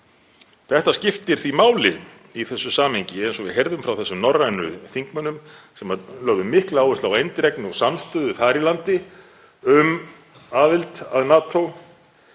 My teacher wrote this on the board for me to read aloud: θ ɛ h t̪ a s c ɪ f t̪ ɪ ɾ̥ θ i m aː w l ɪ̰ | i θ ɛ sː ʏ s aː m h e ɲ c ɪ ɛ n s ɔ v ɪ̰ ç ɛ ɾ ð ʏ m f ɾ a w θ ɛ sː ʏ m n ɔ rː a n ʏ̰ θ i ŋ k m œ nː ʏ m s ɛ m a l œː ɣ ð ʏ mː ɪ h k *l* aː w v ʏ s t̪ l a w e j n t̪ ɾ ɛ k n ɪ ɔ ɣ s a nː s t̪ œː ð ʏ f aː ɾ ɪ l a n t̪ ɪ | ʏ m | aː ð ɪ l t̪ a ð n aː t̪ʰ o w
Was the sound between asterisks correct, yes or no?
yes